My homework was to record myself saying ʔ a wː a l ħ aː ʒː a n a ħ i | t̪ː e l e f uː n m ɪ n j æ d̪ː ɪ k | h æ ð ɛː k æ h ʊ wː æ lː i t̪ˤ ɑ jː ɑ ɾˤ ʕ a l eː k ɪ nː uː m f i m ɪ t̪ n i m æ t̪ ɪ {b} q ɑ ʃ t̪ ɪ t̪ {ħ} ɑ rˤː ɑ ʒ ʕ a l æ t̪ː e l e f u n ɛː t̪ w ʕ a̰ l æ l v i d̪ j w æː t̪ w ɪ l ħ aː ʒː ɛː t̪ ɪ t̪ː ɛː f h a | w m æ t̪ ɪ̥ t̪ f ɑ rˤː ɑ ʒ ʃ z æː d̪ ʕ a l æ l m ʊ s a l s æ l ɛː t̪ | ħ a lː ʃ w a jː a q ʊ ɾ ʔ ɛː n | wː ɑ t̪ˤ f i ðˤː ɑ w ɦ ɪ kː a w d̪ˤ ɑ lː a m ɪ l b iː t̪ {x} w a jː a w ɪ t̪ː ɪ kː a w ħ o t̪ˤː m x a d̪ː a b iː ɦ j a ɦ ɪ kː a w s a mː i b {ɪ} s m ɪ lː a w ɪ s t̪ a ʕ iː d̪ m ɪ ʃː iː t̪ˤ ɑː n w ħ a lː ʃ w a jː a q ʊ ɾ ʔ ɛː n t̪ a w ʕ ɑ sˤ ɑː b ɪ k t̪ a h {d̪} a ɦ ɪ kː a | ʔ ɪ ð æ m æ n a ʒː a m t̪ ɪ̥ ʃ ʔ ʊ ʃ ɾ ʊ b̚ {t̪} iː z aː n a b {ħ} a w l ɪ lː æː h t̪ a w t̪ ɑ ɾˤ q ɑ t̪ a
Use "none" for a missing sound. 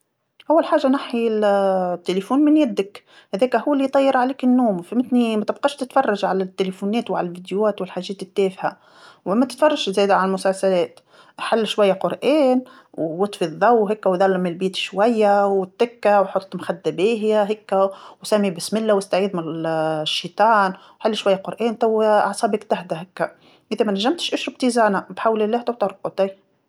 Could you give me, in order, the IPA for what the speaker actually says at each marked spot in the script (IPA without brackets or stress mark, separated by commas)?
b, f, ʃ, ɪ, d̪, t̪, ħ